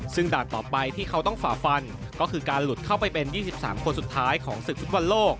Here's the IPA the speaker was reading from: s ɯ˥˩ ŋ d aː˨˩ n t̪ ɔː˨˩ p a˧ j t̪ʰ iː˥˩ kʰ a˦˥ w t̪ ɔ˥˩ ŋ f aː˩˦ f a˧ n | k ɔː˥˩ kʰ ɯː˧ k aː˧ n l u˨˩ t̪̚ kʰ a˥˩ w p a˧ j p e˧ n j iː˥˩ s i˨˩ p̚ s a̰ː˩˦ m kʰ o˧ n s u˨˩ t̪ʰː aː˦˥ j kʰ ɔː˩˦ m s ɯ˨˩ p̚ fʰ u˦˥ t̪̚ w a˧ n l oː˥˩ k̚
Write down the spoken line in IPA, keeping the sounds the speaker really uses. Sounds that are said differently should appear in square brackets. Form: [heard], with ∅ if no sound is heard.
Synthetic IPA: s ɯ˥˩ ŋ d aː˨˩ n t̪ ɔː˨˩ p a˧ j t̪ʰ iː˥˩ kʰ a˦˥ w t̪ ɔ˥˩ ŋ f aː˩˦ f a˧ n | k ɔː˥˩ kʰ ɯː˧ k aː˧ n l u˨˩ t̪̚ kʰ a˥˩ w p a˧ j p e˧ n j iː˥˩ s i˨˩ p̚ s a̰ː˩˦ m kʰ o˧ n s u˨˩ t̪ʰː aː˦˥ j kʰ ɔː˩˦ [ŋ] s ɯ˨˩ [k̚] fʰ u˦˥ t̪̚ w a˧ n l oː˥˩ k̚